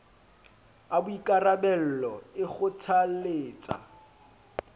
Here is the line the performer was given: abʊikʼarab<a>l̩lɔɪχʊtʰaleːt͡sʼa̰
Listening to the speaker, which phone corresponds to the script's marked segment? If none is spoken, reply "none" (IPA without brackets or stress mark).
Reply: ɛ